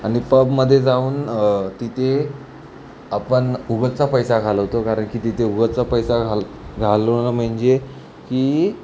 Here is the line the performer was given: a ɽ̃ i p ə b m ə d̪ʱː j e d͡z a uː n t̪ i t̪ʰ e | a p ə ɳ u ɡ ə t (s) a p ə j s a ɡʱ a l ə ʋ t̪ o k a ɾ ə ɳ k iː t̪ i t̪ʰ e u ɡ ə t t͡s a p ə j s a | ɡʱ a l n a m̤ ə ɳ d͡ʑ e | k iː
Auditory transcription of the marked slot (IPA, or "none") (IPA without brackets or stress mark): t͡s